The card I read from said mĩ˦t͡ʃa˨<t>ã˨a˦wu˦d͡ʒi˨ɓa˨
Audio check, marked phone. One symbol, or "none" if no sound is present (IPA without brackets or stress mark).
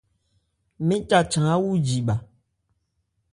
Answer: t͡ʃ